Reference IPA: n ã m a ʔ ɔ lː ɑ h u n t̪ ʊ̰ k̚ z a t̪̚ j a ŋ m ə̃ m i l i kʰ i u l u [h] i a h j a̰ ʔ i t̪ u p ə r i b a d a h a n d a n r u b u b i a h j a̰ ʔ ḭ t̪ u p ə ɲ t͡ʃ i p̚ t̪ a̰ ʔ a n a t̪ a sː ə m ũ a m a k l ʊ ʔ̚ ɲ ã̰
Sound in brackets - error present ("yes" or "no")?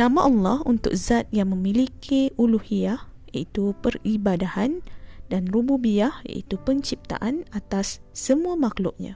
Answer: no